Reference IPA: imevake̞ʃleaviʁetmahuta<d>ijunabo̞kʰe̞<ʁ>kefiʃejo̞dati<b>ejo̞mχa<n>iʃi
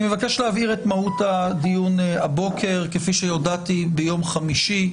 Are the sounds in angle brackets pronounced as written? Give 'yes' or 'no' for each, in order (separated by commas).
yes, yes, yes, no